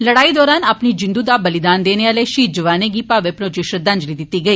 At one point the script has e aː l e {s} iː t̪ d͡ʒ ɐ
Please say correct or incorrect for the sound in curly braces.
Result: incorrect